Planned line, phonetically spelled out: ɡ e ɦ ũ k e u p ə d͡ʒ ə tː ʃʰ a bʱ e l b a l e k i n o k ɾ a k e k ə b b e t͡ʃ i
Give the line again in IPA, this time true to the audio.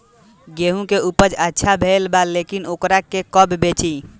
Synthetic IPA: ɡ e ɦ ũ k e u p ə d͡ʒ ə tː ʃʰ a bʱ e l b a l e k i n o k ɾ a k e k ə b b e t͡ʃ i